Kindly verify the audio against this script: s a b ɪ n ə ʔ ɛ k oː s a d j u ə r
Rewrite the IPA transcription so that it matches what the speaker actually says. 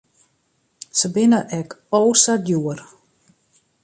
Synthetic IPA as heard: s ə b ɪ n ə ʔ ɛ k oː s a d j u ə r